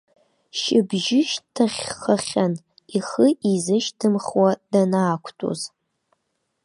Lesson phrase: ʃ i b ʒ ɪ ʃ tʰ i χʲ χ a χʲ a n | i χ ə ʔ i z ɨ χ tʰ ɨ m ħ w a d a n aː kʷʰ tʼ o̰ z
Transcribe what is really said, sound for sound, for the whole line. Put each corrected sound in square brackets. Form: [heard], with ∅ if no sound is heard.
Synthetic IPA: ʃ [ɪ] b ʒ ɪ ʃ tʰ [a] χʲ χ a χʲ a n | i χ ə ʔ i z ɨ [ʃ] tʰ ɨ m [χ] w a d a n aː kʷʰ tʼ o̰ z